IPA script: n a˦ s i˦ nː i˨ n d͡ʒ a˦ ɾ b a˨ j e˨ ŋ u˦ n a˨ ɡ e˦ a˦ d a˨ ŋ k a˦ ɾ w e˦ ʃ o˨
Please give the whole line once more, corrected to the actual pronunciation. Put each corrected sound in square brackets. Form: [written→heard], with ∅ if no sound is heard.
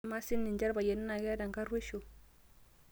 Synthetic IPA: [n→m] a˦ s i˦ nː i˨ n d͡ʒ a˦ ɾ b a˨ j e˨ [ŋ→n] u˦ n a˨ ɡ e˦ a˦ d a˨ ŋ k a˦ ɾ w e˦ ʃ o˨